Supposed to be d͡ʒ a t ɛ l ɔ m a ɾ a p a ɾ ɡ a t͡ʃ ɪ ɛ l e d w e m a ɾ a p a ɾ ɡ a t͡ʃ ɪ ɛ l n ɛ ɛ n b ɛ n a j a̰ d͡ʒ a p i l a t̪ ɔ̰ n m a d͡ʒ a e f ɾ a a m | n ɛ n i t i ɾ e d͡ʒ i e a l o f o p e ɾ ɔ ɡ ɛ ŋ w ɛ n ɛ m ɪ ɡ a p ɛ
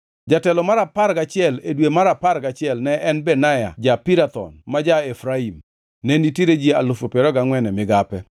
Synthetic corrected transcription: d͡ʒ a t ɛ l ɔ m a ɾ a p a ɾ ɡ a t͡ʃ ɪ ɛ l e d w e m a ɾ a p a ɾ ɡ a t͡ʃ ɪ ɛ l n ɛ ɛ n b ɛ n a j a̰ d͡ʒ a p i ɾ a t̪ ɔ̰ n m a d͡ʒ a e f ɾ a i m | n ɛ n i t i ɾ e d͡ʒ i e a l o f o p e ɾ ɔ ɡ a ŋ w ɛ n ɛ m ɪ ɡ a p ɛ

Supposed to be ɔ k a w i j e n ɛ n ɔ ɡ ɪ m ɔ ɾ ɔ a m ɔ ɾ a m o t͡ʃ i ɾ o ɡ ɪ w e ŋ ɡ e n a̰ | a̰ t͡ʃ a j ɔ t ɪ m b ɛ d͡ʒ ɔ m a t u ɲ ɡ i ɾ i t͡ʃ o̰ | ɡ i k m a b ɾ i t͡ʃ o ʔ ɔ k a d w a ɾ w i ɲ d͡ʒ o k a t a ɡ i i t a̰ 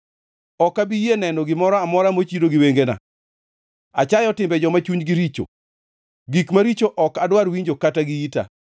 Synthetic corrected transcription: ɔ k a b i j e n ɛ n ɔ ɡ ɪ m ɔ ɾ ɔ a m ɔ ɾ a m o t͡ʃ i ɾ o ɡ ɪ w e ŋ ɡ e n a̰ | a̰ t͡ʃ a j ɔ t ɪ m b ɛ d͡ʒ ɔ m a t͡ʃ u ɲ ɡ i ɾ i t͡ʃ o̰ | ɡ i k m a ɾ i t͡ʃ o ʔ ɔ k a d w a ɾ w i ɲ d͡ʒ o k a t a ɡ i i t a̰

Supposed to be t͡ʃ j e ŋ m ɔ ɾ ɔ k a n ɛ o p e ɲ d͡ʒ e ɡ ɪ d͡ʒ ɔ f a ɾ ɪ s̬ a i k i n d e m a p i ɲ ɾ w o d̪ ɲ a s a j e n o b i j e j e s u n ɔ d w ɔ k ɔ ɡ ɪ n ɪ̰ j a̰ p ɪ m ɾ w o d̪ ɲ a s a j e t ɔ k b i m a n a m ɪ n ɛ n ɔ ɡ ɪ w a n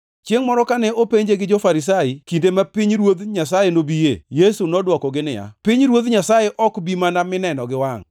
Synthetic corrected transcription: t͡ʃ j e ŋ m ɔ ɾ ɔ k a n ɛ o p e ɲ d͡ʒ e ɡ ɪ d͡ʒ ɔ f a ɾ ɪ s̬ a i k i n d e m a p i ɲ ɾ w o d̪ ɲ a s a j e n o b i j e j e s u n ɔ d w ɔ k ɔ ɡ ɪ n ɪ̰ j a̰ p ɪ ɲ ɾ w o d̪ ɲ a s a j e ʔ ɔ k b i m a n a m ɪ n ɛ n ɔ ɡ ɪ w a ŋ

